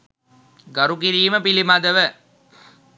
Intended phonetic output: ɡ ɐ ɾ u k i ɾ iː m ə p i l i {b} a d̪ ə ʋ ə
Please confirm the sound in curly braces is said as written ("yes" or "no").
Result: no